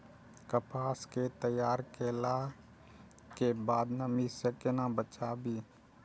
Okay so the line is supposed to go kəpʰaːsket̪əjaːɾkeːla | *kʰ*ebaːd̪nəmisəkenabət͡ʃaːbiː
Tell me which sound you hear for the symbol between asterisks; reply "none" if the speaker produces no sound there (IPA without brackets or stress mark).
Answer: k